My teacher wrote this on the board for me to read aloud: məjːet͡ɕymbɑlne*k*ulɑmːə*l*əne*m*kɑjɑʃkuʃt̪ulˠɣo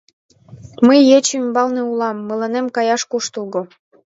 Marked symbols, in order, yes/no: no, yes, yes

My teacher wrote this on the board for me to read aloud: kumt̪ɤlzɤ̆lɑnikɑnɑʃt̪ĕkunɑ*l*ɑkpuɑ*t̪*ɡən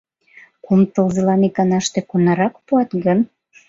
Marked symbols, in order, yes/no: no, yes

